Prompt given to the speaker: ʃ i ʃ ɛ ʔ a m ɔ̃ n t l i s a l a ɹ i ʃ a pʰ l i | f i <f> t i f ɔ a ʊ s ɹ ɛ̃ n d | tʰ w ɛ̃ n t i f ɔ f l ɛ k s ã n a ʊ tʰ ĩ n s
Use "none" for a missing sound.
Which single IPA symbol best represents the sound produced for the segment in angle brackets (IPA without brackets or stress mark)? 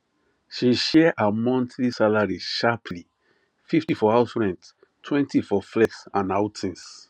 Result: f